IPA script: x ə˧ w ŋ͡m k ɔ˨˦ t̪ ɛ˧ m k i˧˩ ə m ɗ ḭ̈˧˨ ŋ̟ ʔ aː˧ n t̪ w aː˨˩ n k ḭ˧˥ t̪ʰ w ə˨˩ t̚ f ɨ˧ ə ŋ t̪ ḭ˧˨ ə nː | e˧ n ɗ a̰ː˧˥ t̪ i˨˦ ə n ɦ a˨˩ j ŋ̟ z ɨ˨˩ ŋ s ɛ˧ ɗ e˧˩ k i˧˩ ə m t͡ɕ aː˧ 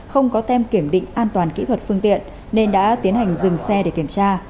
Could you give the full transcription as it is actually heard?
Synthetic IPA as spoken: x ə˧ w ŋ͡m k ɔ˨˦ t̪ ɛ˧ m k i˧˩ ə m ɗ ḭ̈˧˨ ŋ̟ ʔ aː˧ n t̪ w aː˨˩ n k ḭ˧˥ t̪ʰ w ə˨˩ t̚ f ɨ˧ ə ŋ t̪ ḭ˧˨ ə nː | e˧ n ɗ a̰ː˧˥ t̪ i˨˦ ə n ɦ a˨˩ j ŋ̟ z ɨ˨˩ ŋ s ɛ˧ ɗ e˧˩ k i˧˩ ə m t͡ɕ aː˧